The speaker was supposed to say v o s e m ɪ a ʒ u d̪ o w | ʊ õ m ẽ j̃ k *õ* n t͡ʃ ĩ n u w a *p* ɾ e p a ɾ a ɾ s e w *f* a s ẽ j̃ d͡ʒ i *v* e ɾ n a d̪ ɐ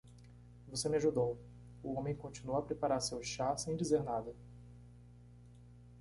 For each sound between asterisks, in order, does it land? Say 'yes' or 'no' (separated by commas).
yes, yes, no, no